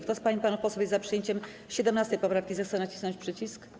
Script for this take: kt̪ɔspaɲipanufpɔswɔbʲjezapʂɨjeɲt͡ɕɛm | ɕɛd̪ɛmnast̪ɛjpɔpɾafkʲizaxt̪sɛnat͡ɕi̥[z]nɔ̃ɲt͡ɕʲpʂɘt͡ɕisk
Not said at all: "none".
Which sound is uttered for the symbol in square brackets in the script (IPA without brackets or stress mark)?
s